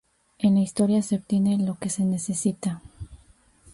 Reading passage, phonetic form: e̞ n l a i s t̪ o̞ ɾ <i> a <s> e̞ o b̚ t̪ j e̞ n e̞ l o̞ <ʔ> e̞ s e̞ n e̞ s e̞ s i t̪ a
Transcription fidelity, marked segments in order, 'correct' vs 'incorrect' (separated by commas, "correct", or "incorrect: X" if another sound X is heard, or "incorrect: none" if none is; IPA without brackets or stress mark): incorrect: j, correct, incorrect: k